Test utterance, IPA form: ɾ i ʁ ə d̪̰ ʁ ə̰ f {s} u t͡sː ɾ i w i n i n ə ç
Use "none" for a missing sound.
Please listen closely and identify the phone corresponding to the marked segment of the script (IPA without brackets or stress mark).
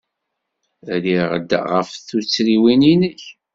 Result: θ